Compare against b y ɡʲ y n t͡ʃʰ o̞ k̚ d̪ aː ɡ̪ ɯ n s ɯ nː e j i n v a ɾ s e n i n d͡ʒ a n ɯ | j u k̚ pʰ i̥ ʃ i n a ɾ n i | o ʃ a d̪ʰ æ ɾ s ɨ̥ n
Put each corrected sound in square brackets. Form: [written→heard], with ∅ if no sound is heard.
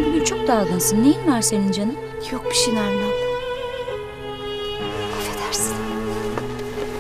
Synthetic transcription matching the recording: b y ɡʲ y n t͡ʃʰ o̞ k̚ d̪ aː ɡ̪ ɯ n s ɯ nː e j i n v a ɾ s e n i n d͡ʒ a n ɯ | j [u→o] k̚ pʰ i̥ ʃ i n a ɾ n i | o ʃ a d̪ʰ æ ɾ s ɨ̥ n